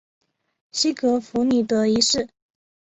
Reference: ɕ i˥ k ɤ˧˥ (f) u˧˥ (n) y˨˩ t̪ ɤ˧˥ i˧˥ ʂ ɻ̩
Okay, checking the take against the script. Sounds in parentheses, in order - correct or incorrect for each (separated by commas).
correct, correct